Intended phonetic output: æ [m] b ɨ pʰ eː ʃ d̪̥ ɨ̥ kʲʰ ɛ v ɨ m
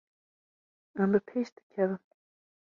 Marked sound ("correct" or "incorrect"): correct